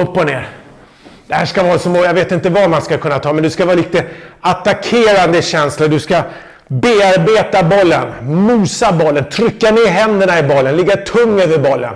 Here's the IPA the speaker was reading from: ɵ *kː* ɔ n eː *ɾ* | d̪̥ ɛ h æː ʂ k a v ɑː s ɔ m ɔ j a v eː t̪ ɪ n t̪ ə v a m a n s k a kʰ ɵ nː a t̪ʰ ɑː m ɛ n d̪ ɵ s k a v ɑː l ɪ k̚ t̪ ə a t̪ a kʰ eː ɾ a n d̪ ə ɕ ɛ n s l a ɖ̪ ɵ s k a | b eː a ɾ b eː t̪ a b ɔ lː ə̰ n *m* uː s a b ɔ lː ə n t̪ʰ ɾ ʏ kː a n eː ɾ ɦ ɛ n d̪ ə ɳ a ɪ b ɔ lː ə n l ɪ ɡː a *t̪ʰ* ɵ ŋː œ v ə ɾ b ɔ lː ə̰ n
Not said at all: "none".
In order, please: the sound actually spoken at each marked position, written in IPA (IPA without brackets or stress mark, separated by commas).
pː, ɾ, m, t̪ʰ